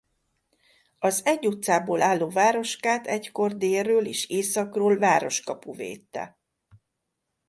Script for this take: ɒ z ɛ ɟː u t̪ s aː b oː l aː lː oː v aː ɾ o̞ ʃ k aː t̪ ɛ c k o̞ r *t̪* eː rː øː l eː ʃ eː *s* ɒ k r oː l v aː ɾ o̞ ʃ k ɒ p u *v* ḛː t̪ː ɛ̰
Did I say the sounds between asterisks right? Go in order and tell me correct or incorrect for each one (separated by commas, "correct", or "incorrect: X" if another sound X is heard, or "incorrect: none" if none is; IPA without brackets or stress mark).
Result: incorrect: d̪, correct, correct